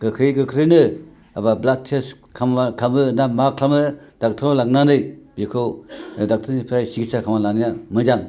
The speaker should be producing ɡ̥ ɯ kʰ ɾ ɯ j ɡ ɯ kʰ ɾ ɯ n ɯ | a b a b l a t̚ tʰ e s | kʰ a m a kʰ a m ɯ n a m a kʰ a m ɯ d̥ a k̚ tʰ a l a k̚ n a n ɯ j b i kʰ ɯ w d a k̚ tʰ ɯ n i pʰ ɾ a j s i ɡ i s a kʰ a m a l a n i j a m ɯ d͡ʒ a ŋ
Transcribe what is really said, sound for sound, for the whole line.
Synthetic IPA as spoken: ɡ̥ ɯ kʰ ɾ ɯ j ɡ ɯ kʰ ɾ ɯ n ɯ | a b a b l a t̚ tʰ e s | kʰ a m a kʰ a m ɯ n a m a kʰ a m ɯ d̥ a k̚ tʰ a l a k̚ n a n ɯ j b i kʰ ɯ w d a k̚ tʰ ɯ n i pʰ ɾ a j s i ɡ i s a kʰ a m a l a n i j a m ɯ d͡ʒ a ŋ